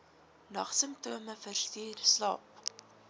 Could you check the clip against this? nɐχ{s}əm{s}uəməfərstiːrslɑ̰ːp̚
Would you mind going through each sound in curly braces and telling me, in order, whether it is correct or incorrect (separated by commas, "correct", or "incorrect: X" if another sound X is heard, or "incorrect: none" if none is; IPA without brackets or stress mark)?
correct, incorrect: t